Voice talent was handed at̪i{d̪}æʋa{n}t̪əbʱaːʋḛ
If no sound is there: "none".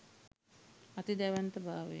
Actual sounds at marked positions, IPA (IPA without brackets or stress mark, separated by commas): d̪, n